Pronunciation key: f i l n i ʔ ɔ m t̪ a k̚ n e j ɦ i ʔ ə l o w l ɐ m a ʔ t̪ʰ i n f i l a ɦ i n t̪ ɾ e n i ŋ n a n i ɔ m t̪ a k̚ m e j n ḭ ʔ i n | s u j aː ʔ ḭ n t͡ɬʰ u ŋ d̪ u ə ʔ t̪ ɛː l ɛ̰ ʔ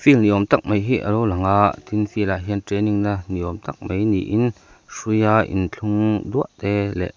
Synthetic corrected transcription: f i l n i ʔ ɔ m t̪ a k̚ m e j ɦ i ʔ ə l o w l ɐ ŋ a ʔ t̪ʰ i n f i l a ɦ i n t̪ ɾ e n i ŋ n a n i ɔ m t̪ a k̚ m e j n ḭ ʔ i n | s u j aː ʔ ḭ n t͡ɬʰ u ŋ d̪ u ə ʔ t̪ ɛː l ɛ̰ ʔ